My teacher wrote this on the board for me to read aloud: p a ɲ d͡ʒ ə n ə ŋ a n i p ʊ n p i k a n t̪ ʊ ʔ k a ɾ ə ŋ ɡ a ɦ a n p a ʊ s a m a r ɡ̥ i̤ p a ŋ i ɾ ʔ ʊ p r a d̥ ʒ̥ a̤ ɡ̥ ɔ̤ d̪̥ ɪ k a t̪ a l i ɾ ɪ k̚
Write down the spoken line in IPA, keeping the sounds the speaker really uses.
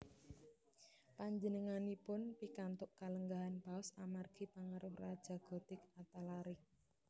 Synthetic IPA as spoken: p a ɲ d͡ʒ ə n ə ŋ a n i p ʊ n p i k a n t̪ ʊ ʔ k a l ə ŋ ɡ a ɦ a n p a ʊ s a m a r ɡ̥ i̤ p a ŋ a ɾ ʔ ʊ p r a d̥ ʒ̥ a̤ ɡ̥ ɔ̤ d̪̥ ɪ k a t̪ a l a ɾ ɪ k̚